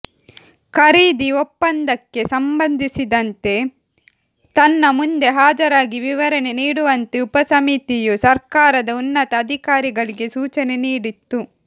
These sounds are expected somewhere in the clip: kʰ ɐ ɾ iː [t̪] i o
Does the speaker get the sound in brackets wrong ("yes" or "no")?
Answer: yes